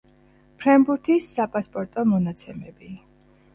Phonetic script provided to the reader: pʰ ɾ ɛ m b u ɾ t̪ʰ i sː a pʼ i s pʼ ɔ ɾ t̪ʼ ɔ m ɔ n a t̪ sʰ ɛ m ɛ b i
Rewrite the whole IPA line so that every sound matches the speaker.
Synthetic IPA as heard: pʰ ɾ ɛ m b u ɾ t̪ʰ i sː a pʼ a s pʼ ɔ ɾ t̪ʼ ɔ m ɔ n a t̪ sʰ ɛ m ɛ b i